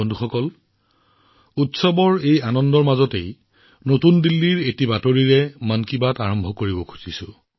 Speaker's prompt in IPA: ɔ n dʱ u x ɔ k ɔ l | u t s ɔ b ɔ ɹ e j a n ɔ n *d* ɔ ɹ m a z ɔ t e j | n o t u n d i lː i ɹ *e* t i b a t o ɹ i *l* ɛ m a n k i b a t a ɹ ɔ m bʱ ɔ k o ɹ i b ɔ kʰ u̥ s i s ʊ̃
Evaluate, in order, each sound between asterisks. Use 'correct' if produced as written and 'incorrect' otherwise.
correct, correct, incorrect: ɹ

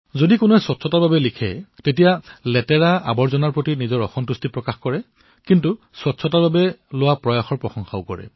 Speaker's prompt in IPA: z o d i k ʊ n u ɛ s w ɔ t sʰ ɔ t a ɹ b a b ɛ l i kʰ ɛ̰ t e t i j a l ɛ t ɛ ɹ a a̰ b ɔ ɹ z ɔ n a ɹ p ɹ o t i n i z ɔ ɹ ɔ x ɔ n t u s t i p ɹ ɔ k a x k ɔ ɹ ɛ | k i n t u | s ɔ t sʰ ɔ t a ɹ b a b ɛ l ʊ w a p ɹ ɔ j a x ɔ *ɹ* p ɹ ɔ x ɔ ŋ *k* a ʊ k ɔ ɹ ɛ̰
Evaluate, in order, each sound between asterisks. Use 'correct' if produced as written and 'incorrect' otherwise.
correct, incorrect: x

